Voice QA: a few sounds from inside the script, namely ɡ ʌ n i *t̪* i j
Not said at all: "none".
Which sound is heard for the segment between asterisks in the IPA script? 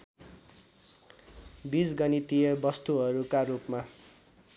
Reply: t̪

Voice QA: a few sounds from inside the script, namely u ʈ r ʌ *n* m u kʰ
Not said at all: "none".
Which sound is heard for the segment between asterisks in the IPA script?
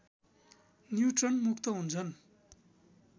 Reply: n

